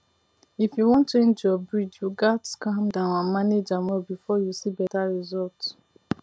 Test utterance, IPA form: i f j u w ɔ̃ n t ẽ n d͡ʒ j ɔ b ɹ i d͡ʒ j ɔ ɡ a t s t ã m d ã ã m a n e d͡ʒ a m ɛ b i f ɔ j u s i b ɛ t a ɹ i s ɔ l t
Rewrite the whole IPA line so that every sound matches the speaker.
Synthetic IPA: i f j u w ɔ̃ n t͡ʃ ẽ n d͡ʒ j ɔ b ɹ i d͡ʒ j u ɡ a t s k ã m d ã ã m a n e d͡ʒ a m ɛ b i f ɔ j u s i b ɛ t a ɹ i z ɔ l t